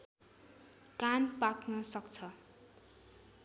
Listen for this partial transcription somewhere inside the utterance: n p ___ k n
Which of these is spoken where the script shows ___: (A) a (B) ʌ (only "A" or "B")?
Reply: A